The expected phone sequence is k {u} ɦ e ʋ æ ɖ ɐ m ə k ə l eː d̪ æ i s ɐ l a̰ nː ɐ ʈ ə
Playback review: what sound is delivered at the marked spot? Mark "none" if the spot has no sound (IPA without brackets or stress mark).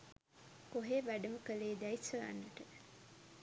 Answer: o